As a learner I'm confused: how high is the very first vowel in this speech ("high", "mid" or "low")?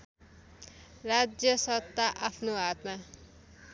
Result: low